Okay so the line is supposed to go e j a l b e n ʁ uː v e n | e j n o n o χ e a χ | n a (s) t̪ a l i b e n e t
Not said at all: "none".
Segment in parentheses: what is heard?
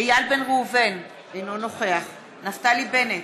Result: f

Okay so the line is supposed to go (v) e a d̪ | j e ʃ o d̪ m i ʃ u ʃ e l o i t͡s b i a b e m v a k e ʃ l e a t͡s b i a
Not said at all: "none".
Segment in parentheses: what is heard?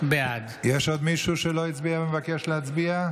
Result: b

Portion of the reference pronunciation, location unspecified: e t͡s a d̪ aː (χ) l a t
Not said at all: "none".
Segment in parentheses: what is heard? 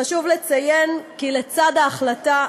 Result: χ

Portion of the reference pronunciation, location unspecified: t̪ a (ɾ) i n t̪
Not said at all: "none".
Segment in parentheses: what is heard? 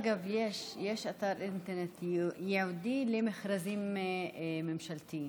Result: ɾ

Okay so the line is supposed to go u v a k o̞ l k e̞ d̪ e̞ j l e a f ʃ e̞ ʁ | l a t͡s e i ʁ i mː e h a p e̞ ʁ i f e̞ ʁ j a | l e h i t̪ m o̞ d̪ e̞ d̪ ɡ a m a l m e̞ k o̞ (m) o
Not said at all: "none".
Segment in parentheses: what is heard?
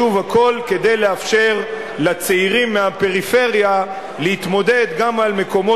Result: m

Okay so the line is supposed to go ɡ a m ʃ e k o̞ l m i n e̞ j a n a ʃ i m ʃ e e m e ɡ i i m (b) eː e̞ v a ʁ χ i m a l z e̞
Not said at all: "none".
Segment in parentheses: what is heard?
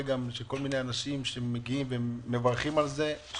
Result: v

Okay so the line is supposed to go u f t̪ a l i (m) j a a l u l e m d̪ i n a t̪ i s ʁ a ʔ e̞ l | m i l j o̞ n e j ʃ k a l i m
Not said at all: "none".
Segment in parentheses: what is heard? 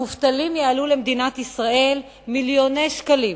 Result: m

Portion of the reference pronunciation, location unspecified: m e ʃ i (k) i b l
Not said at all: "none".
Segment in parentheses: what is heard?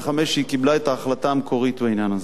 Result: k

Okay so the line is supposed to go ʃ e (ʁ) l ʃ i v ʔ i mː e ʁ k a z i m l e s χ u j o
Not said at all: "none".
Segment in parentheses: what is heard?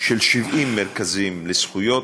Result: none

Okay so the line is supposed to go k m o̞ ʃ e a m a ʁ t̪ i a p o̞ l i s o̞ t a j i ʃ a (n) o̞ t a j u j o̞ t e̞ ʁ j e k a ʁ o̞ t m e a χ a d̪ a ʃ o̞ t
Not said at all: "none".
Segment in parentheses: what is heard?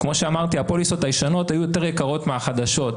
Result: n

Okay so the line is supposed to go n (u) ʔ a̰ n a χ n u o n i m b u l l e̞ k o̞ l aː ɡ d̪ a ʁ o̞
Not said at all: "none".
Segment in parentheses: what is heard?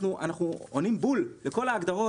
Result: u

